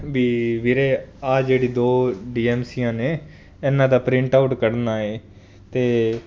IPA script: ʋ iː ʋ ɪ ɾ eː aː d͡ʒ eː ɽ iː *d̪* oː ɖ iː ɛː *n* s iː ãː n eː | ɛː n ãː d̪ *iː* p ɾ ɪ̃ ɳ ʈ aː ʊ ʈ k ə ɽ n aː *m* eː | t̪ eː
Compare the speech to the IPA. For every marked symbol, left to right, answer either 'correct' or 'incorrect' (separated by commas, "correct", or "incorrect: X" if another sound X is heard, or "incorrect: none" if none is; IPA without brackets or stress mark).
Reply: correct, incorrect: m, incorrect: aː, incorrect: none